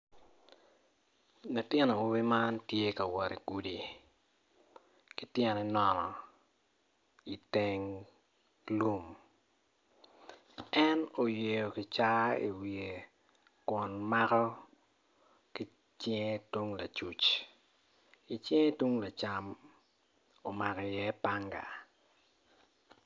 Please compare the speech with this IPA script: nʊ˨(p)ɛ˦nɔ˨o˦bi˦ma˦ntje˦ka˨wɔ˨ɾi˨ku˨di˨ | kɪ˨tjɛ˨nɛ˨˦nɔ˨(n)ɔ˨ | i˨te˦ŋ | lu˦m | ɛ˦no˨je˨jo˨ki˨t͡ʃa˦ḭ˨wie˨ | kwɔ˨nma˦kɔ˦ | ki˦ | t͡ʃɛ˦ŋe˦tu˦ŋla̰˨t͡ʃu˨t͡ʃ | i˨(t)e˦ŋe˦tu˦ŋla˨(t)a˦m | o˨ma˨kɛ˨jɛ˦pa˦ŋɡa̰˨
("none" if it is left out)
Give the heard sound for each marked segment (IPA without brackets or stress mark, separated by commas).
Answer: t, n, t͡ʃ, t͡ʃ